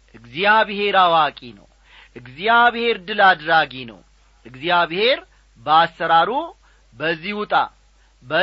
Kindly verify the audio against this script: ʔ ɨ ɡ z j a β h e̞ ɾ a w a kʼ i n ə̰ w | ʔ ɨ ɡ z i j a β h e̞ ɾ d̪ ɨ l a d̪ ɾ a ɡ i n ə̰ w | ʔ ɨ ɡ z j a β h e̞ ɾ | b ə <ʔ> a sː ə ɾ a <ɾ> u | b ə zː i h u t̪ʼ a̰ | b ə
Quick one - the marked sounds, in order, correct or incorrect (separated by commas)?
incorrect, correct